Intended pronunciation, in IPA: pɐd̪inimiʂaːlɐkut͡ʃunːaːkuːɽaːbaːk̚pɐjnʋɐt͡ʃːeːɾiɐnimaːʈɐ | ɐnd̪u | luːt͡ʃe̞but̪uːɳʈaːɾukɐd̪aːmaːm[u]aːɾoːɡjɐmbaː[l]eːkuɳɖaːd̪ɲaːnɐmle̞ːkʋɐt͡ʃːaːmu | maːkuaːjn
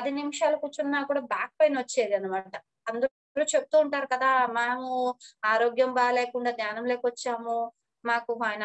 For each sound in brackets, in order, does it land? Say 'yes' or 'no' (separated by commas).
yes, yes